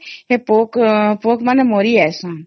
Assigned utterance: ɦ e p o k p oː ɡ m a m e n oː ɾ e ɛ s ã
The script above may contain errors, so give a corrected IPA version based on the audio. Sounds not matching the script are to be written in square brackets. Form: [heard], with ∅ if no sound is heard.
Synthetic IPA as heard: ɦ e p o k p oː [k] m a [n] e [m] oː ɾ [i] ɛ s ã